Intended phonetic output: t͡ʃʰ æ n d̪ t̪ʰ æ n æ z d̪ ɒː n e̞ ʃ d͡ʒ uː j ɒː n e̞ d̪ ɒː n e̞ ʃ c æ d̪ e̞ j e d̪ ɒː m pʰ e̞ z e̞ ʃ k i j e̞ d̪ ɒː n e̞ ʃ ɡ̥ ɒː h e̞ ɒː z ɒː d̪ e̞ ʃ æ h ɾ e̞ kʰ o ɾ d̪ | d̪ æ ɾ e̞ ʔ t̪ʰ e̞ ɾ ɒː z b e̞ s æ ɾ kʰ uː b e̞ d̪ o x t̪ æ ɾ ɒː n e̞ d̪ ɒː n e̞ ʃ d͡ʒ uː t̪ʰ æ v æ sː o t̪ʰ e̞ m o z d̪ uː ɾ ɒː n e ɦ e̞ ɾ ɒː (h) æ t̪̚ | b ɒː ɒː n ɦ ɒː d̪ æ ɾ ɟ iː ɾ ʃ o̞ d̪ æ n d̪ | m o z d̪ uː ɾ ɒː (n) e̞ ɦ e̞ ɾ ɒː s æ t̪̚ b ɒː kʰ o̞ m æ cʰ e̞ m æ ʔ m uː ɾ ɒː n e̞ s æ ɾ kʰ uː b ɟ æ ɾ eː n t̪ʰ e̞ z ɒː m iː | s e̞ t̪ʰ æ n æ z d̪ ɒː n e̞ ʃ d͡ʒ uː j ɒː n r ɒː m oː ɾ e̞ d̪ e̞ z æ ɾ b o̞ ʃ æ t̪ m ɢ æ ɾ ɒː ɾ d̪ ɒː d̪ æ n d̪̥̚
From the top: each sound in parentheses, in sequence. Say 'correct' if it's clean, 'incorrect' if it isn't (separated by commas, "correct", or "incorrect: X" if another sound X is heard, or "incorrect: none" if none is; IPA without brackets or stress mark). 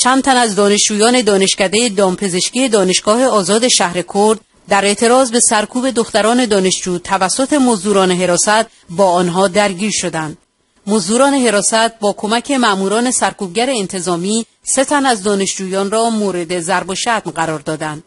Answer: incorrect: s, correct